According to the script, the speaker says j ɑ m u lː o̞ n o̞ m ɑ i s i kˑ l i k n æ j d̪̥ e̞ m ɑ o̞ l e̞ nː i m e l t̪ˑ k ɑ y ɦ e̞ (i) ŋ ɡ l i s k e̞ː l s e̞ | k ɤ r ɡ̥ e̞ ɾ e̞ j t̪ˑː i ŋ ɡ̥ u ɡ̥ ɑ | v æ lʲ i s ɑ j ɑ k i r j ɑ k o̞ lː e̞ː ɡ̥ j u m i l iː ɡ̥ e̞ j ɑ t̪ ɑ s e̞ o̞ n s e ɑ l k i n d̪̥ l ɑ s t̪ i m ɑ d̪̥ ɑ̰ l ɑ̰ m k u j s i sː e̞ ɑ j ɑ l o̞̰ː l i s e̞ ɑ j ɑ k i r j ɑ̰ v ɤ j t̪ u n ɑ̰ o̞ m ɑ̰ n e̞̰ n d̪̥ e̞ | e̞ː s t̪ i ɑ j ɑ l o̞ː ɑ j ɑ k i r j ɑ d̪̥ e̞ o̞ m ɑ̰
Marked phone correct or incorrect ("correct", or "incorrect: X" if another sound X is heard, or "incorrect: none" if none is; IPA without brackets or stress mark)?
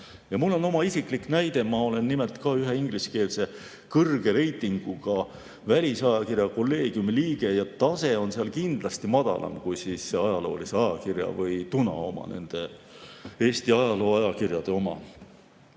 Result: correct